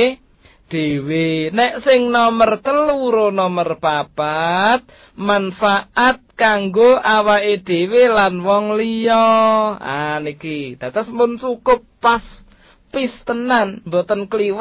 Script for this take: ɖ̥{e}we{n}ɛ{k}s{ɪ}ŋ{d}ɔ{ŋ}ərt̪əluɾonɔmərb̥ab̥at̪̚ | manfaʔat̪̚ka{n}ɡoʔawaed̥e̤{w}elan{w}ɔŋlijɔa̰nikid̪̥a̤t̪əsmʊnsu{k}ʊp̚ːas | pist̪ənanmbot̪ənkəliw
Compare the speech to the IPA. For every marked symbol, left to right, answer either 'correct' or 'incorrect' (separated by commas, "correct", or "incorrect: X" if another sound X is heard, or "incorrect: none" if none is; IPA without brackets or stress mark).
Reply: correct, correct, incorrect: ʔ, correct, incorrect: n, incorrect: m, incorrect: ŋ, correct, correct, correct